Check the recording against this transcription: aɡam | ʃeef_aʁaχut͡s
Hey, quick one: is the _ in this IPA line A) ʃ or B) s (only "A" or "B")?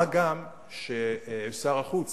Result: B